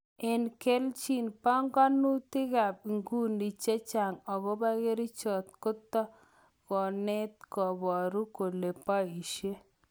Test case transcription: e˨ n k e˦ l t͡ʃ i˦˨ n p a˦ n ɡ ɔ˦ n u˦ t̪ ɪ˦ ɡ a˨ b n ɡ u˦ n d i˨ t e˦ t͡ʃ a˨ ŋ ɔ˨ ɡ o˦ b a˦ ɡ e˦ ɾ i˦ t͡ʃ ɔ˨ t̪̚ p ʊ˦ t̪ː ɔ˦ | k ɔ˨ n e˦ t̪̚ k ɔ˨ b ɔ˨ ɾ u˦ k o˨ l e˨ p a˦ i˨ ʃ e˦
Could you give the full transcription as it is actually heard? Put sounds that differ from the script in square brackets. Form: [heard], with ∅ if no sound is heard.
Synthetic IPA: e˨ n k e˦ l t͡ʃ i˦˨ n p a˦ [ŋ] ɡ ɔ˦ n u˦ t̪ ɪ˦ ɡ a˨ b [ŋ] ɡ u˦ n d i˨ [t͡ʃ] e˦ t͡ʃ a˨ ŋ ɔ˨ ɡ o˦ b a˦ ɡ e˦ ɾ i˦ t͡ʃ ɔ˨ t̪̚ [k] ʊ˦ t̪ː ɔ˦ | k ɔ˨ n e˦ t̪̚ k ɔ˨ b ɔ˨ ɾ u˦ k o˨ l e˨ p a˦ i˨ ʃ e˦